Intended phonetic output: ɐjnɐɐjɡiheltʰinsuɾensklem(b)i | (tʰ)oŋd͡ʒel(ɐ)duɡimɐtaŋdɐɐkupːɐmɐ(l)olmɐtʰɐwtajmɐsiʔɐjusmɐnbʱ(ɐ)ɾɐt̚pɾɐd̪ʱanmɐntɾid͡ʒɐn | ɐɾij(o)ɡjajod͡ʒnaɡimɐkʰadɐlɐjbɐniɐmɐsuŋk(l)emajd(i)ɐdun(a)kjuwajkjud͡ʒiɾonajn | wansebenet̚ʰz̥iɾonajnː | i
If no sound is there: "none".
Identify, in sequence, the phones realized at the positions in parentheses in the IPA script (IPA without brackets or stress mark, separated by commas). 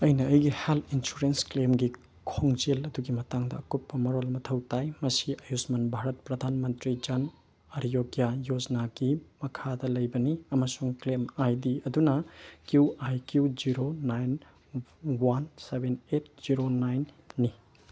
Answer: ɡ, kʰ, ɐ, ɾ, a, o, l, i, ɐ